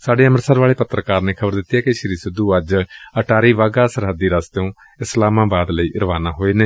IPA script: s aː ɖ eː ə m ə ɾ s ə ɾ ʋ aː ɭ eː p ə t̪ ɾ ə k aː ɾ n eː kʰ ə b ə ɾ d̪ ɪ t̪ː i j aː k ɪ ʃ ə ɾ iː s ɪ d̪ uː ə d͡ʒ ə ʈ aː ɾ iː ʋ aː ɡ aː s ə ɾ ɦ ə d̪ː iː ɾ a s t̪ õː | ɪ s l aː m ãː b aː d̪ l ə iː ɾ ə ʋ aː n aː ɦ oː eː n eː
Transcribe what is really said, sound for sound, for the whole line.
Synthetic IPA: s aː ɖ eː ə m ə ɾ s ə ɾ ʋ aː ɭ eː p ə t̪ ɾ ə k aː ɾ n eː kʰ ə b ə ɾ d̪ ɪ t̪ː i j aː k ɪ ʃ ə ɾ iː s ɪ d̪ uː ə d͡ʒ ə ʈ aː ɾ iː ʋ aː ɡ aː s ə ɾ ɦ ə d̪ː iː ɾ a s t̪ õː | ɪ s l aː m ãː b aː d̪ l ə iː ɾ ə ʋ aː n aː ɦ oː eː n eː